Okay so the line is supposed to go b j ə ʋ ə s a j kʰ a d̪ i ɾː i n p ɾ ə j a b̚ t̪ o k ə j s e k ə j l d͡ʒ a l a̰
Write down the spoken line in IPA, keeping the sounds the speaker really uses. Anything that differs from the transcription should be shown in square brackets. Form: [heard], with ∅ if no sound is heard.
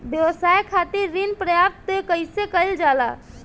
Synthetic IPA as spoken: b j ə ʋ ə s a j kʰ a [t̪] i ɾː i n p ɾ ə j a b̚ t̪ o k ə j s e k ə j l d͡ʒ a l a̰